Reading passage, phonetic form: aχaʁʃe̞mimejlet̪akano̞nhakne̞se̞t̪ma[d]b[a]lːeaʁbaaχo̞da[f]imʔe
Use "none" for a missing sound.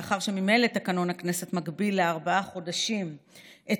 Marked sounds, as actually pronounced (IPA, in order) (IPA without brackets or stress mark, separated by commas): ɡ, i, ʃ